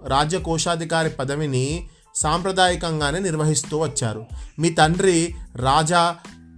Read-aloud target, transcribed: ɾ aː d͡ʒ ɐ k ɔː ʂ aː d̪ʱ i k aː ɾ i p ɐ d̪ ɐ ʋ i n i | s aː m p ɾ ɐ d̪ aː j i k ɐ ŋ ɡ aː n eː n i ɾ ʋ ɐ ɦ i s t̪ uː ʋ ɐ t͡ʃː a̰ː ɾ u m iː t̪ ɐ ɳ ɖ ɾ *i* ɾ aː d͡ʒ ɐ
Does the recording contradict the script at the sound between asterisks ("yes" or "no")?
no